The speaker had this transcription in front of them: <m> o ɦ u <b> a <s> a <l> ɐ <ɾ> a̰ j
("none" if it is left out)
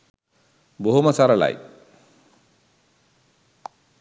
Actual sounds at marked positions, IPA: b, m, s, ɾ, l

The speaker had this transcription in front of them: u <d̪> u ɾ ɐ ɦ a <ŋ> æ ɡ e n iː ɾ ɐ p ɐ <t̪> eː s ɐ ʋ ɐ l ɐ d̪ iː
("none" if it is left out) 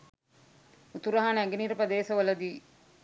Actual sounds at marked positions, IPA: t̪, n, d̪

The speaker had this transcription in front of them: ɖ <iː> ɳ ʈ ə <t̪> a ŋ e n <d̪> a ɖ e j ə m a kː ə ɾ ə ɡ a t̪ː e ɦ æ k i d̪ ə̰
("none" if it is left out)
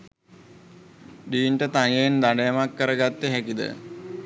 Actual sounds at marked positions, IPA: iː, t̪, d̪

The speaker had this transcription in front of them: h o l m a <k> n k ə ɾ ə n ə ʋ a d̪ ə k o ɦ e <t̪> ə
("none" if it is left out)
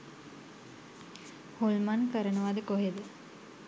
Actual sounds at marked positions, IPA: none, d̪

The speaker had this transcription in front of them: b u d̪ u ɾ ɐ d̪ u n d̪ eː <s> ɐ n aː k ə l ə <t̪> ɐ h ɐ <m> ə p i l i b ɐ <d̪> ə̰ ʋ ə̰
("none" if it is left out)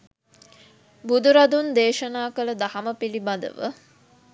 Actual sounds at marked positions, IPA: ʃ, d̪, m, d̪

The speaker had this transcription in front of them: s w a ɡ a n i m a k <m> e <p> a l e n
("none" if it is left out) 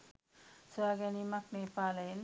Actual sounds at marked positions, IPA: n, p

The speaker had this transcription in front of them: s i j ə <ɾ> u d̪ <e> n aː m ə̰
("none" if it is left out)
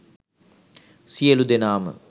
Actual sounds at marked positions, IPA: l, e

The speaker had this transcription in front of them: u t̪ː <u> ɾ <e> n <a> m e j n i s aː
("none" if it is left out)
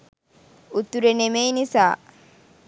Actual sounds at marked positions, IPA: u, e, e

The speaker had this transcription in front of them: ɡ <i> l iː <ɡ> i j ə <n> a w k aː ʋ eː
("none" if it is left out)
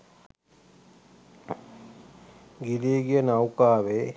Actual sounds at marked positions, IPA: i, ɡ, n

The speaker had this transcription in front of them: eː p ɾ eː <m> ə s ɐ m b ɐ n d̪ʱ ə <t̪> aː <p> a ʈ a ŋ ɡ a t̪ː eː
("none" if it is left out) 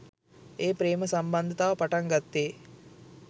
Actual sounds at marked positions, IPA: m, t̪, p

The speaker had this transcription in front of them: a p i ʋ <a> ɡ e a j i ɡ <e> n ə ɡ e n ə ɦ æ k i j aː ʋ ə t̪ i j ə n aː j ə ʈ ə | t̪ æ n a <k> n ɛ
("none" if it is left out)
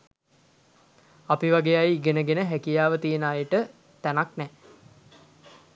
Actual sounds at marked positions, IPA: a, e, k

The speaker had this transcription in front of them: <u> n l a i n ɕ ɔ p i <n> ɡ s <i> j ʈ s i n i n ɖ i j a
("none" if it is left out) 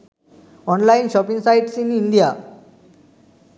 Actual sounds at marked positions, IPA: ɔ, ŋ, a

